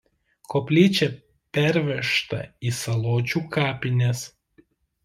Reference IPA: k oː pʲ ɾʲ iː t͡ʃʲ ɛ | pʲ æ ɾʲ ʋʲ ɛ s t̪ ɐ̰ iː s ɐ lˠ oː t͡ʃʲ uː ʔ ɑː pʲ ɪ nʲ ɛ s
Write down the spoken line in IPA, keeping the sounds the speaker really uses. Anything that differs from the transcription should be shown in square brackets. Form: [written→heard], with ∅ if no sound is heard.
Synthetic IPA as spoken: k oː pʲ [ɾʲ→lʲ] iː t͡ʃʲ ɛ | pʲ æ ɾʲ ʋʲ ɛ [s→ʃ] t̪ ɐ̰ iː s ɐ lˠ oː t͡ʃʲ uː [ʔ→k] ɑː pʲ ɪ nʲ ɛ s